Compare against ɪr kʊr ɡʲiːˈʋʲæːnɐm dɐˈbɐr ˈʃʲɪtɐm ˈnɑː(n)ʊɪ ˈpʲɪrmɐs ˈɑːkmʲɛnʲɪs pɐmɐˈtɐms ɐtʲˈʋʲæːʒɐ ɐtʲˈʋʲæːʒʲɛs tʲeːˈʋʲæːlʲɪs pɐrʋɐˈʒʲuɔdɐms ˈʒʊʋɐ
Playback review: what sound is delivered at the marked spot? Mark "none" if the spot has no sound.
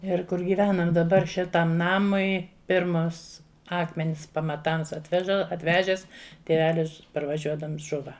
m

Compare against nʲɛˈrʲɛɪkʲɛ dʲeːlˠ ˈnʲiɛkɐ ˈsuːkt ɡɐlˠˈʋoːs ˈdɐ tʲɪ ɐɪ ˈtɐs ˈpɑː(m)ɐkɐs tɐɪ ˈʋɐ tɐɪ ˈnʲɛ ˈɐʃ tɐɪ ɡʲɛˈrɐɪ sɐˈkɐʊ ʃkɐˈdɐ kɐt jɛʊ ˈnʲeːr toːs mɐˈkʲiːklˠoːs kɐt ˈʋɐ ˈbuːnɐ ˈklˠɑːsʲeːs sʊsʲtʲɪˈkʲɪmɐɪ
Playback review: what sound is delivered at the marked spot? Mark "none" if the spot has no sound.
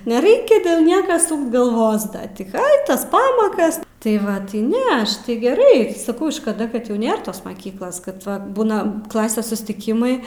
m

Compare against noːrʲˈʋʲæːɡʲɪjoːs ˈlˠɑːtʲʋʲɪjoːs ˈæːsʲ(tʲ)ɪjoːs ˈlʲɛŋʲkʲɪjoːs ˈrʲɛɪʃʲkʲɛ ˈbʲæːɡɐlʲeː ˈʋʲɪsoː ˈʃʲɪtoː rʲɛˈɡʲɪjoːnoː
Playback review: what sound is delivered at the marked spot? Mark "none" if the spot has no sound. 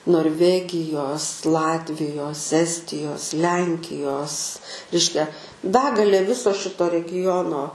tʲ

